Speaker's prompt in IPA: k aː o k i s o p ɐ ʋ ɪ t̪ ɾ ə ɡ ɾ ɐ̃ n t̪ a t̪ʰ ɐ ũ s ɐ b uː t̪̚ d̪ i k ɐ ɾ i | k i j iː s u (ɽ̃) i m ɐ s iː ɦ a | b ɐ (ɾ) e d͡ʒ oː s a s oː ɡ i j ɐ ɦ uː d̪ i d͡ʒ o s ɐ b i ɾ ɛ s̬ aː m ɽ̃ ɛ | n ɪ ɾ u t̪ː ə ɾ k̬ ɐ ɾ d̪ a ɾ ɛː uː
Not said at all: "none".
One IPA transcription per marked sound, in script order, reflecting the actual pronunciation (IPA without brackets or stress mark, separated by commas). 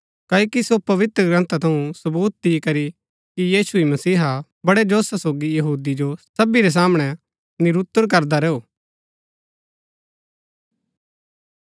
none, ɽ